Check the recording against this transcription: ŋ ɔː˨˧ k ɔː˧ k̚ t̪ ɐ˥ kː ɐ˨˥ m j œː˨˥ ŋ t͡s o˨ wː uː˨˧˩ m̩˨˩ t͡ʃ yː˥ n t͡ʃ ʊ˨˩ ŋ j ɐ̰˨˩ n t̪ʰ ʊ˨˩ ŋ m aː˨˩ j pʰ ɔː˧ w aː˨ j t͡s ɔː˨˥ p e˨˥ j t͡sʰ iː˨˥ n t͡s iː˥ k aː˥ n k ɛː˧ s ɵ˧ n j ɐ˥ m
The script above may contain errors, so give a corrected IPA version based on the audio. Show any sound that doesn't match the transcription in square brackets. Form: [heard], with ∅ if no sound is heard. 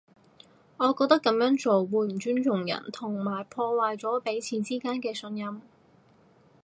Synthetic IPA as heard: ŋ ɔː˨˧ k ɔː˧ k̚ t̪ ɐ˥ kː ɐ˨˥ m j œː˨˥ ŋ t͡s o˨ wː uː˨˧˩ m̩˨˩ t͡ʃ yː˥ n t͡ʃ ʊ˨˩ ŋ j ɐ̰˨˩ n t̪ʰ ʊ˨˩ ŋ m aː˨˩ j pʰ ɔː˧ w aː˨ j t͡s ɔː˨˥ p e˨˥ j t͡sʰ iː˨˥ n t͡s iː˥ k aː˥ n k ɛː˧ s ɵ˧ n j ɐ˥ m